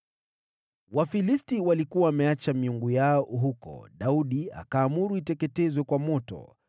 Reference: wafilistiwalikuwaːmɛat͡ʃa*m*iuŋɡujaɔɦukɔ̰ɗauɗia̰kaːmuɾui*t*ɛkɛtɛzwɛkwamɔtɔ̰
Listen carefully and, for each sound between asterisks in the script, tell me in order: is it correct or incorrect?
correct, correct

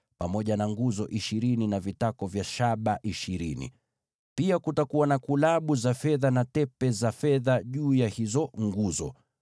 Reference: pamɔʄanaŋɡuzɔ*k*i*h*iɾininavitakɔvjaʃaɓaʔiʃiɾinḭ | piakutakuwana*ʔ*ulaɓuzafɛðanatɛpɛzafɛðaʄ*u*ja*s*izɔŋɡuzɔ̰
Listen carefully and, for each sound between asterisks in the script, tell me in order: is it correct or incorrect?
incorrect: ʔ, incorrect: ʃ, incorrect: k, incorrect: uː, incorrect: h

